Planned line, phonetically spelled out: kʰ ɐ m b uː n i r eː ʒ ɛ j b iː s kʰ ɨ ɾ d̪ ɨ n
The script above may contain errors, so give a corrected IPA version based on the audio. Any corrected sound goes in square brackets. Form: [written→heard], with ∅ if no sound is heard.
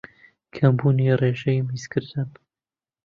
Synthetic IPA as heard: kʰ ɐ m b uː n i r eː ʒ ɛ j [b→m] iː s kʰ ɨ ɾ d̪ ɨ n